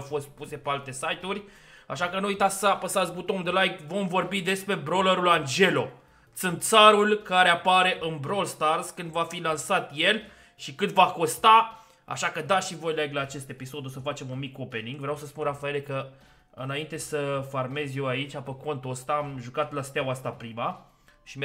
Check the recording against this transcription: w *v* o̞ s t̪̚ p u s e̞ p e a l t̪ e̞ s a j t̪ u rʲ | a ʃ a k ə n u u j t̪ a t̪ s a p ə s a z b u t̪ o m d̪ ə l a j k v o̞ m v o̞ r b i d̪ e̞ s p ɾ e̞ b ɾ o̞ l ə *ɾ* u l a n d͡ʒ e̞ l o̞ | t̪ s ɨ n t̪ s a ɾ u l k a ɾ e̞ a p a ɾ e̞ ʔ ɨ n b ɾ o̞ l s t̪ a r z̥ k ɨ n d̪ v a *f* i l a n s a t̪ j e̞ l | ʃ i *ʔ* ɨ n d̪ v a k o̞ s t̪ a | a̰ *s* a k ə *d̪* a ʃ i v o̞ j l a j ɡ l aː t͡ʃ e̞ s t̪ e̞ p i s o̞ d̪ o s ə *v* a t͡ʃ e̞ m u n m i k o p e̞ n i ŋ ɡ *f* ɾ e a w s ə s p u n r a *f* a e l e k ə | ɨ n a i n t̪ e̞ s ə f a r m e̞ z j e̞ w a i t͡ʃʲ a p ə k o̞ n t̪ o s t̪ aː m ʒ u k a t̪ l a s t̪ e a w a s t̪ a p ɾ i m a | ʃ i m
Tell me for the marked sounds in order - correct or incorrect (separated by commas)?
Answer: incorrect, correct, correct, incorrect, incorrect, correct, incorrect, incorrect, correct